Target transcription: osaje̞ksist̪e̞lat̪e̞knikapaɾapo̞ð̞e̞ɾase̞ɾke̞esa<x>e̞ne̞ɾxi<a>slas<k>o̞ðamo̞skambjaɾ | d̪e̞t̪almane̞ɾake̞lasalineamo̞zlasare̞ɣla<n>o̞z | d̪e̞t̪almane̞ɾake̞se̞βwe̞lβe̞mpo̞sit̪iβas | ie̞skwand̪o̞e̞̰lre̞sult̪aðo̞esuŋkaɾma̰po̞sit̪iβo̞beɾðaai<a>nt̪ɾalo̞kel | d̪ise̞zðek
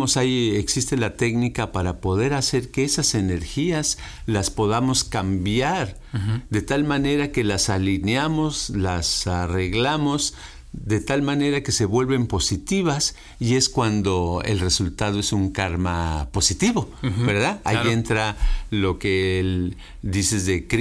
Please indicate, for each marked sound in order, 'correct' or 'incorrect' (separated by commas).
incorrect, correct, incorrect, incorrect, incorrect